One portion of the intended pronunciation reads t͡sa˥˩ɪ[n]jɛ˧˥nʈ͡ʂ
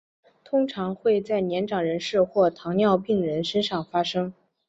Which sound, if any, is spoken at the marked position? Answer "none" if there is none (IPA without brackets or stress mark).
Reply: n